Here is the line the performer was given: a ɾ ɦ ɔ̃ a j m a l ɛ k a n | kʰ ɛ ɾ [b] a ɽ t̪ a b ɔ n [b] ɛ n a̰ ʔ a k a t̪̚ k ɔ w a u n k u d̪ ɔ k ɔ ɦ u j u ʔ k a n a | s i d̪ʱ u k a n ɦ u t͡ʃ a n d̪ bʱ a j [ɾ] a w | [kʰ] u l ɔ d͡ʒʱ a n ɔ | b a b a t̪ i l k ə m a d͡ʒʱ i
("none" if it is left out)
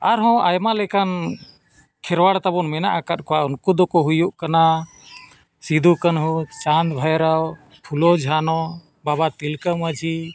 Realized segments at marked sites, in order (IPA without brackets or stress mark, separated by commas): w, m, ɾ, pʰ